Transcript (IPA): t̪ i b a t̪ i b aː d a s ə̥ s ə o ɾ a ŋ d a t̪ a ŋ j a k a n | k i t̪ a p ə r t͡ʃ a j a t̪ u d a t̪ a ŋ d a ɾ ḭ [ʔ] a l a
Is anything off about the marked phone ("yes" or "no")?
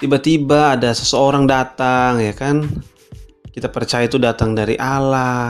no